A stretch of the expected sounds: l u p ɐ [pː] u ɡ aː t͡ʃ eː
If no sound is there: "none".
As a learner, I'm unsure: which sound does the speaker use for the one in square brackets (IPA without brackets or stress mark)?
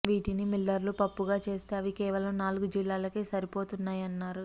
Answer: pː